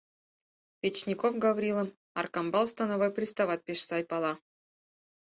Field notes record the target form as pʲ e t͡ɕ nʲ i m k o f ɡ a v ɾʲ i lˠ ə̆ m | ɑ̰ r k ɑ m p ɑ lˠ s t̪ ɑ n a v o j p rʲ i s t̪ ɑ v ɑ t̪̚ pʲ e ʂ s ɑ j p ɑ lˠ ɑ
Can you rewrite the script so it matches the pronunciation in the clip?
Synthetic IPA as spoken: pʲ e t͡ɕ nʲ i k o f ɡ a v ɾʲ i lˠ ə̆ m | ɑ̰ r k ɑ m b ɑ lˠ s t̪ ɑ n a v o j p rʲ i s t̪ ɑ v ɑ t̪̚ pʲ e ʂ s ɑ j p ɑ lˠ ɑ